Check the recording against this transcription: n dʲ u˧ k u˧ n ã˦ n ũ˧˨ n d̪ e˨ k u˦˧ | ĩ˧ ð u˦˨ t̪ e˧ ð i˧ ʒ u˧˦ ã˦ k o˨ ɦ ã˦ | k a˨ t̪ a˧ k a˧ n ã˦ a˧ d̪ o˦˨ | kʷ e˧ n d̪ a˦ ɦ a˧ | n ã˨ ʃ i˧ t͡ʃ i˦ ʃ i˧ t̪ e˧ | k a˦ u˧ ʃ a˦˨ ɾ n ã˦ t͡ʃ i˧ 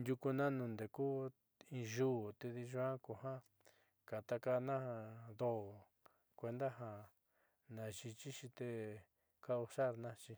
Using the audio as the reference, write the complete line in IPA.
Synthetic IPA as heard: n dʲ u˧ k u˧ n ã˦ n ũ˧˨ n d̪ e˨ k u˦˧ | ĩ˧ ʒ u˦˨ t̪ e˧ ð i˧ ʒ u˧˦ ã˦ k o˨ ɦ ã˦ | k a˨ t̪ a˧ k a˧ n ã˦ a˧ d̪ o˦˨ | kʷ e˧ n d̪ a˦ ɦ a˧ | n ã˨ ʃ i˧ t͡ʃ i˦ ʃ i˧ t̪ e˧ | k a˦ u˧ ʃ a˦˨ ɾ n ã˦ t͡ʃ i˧